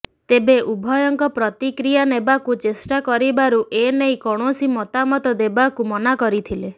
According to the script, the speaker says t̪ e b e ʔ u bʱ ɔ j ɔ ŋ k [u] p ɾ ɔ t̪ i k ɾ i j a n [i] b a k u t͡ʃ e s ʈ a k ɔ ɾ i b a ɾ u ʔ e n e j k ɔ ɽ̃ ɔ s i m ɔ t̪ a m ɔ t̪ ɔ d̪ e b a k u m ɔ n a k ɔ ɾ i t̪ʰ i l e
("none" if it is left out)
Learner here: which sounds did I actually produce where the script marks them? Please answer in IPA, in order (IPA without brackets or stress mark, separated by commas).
ɔ, e